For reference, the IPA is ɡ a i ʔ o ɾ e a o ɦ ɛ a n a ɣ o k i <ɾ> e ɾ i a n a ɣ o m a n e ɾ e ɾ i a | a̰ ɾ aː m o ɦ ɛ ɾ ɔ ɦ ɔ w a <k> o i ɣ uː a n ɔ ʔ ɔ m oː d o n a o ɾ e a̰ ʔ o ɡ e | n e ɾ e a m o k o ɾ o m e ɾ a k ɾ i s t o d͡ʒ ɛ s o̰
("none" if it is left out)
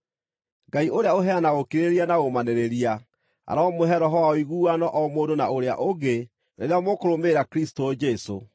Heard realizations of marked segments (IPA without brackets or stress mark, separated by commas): ɾ, none